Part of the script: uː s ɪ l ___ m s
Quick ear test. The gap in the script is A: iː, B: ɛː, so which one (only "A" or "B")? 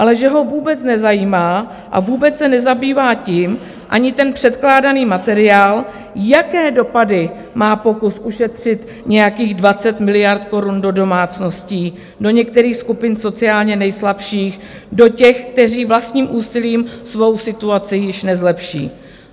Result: A